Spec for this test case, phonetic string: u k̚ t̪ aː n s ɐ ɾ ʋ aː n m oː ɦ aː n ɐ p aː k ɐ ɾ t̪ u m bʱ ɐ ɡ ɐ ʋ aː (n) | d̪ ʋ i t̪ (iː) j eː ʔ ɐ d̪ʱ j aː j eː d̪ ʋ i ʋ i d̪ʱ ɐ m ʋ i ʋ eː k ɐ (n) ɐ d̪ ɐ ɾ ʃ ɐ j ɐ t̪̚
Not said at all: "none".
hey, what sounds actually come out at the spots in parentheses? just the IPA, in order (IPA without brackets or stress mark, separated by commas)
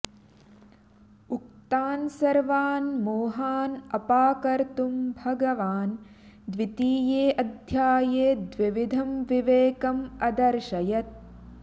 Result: n, iː, m